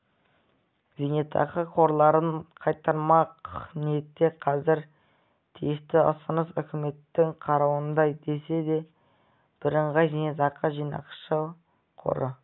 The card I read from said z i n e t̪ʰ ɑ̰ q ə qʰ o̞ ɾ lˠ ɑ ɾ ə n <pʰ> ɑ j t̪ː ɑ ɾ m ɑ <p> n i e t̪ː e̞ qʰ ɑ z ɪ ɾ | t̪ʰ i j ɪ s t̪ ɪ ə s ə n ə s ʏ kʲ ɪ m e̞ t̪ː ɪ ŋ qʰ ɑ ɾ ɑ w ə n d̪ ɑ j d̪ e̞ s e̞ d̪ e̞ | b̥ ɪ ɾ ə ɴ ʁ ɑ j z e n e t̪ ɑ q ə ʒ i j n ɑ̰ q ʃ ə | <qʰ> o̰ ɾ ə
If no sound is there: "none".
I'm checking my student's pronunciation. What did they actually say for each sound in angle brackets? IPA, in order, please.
qʰ, q, qʰ

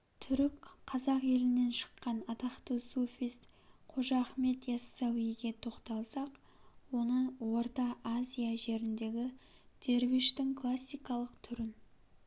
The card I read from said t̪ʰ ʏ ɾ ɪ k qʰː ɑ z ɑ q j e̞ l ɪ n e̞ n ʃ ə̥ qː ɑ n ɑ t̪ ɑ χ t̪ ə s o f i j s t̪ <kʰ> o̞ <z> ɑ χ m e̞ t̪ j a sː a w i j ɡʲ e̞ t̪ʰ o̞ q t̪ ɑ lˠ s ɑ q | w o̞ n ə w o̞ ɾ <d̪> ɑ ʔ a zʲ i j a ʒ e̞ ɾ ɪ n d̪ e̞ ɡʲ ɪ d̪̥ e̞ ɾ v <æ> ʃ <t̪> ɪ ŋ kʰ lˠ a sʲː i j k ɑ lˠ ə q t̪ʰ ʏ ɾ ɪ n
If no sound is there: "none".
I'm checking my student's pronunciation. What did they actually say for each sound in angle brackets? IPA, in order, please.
qʰ, ʒ, t̪, i, t̪

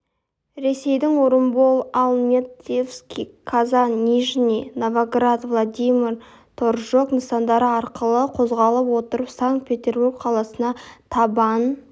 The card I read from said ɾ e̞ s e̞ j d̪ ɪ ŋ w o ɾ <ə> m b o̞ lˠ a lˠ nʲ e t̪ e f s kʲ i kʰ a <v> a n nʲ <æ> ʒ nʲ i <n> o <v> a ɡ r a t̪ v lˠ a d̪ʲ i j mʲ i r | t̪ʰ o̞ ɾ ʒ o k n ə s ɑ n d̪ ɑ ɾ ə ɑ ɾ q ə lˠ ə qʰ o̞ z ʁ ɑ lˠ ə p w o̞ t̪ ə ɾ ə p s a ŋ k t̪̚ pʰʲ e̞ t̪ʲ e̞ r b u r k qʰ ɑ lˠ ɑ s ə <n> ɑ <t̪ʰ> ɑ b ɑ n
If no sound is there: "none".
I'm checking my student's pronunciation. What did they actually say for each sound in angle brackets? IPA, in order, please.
ə, z, i, n, v, n, t̪ʰ

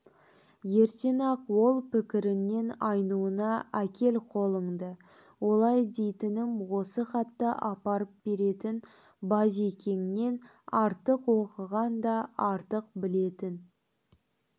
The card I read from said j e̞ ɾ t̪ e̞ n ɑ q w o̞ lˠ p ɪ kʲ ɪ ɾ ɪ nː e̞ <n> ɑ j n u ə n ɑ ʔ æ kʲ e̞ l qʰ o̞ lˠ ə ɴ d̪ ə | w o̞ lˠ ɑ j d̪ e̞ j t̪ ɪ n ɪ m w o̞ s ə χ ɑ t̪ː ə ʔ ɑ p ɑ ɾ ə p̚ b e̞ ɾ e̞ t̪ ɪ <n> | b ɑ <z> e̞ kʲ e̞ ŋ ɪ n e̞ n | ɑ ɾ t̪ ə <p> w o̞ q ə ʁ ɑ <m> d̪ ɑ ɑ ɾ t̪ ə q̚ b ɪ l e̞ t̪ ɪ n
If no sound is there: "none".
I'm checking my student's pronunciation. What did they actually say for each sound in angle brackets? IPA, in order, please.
n, n, z, q, n

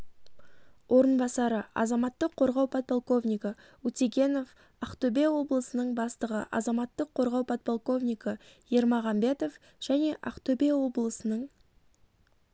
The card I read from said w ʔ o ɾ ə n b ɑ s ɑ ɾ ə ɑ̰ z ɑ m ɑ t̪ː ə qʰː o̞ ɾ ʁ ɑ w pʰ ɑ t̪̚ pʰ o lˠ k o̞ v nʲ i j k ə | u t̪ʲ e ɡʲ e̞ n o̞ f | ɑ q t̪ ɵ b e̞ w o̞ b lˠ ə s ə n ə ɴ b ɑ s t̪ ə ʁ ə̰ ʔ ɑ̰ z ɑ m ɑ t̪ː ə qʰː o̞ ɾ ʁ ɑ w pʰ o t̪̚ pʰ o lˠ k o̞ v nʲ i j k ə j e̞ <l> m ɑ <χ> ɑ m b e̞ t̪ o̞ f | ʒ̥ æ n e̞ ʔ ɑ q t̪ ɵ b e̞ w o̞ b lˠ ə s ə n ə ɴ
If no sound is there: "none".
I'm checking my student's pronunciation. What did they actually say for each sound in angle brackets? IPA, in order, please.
ɾ, ʁ

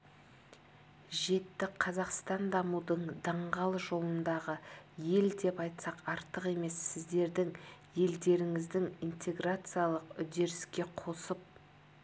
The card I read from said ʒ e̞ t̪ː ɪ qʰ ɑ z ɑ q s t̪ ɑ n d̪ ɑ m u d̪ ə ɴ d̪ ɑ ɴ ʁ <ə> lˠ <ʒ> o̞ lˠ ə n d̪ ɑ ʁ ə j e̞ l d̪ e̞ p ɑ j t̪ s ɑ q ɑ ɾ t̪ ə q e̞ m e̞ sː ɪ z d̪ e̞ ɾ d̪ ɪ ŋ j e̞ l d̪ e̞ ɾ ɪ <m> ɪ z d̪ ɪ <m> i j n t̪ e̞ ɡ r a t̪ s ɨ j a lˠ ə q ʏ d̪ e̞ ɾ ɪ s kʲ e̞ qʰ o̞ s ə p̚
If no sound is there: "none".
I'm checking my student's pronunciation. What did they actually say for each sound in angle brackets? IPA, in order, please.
ɑ, ʒ, ŋ, ŋ

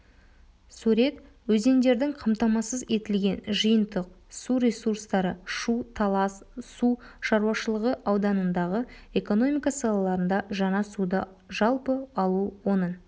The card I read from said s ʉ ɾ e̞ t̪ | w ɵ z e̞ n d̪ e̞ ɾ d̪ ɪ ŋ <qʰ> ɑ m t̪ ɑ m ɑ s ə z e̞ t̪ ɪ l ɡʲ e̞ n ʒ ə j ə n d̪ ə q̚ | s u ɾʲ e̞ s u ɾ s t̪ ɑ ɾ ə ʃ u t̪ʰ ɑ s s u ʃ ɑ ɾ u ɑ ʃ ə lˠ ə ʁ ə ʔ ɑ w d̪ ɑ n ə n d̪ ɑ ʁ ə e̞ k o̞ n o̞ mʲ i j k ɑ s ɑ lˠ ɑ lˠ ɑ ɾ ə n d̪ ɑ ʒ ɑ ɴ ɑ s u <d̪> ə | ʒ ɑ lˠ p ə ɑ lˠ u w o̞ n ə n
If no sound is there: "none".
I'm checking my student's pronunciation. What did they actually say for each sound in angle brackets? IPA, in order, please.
qʰ, d̪

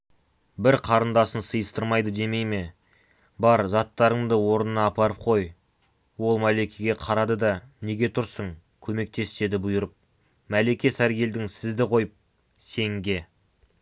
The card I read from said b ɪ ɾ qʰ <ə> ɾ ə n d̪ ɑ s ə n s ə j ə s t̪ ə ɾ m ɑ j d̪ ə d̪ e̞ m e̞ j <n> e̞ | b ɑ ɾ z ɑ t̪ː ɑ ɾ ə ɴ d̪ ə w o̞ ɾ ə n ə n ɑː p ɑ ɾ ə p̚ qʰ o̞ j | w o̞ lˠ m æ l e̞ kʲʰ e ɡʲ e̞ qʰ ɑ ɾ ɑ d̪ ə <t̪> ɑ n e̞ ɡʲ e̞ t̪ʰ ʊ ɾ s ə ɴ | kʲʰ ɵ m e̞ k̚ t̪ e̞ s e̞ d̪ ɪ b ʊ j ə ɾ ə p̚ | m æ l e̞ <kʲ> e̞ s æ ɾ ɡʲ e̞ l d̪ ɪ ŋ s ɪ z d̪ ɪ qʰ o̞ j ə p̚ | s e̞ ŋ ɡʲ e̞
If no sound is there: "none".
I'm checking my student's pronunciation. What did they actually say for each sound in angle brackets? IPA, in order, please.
ɑ, m, d̪, kʲ

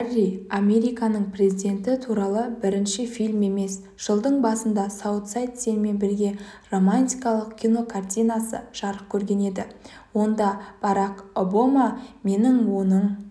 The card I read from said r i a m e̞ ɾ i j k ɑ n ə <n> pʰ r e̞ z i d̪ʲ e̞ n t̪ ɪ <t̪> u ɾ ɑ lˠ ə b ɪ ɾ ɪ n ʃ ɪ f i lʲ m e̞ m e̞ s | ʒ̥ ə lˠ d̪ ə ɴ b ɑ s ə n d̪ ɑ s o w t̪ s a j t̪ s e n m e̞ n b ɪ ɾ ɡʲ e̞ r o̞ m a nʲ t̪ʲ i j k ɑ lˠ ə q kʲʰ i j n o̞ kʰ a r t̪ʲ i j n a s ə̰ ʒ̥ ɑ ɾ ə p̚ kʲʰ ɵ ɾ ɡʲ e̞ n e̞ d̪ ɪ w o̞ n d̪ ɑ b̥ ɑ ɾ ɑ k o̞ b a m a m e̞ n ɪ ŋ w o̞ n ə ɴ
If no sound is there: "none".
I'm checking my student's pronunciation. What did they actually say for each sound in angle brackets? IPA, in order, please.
ɴ, t̪ʰ

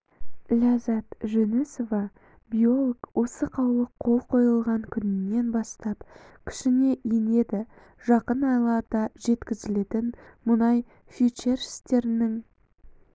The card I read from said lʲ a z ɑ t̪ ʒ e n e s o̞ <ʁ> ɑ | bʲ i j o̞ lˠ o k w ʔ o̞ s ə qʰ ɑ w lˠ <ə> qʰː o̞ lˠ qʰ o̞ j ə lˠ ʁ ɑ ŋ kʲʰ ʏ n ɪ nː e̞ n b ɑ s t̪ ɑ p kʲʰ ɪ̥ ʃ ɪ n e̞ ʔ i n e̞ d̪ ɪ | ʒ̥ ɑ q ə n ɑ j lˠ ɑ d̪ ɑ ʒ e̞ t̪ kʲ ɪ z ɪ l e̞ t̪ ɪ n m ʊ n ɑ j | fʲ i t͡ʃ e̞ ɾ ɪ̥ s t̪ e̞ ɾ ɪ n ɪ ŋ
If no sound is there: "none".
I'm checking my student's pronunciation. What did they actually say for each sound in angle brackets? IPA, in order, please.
v, ə

